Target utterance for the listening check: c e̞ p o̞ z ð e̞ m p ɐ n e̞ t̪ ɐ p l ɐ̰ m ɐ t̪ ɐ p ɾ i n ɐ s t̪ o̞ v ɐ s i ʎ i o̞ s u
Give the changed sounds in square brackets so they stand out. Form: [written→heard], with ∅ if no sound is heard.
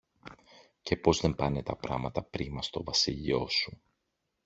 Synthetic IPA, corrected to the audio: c e̞ p o̞ z ð e̞ m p ɐ n e̞ t̪ ɐ p [l→ɾ] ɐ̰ m ɐ t̪ ɐ p ɾ i [n→m] ɐ s t̪ o̞ v ɐ s i ʎ i o̞ s u